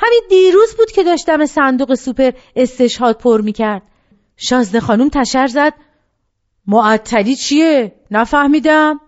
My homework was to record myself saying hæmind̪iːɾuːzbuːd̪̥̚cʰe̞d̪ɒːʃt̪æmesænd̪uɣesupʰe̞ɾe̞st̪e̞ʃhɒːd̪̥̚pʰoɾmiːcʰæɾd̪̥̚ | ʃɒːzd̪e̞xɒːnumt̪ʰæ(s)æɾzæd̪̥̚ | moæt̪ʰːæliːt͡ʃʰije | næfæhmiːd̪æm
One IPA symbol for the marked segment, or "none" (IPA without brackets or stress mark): ʃ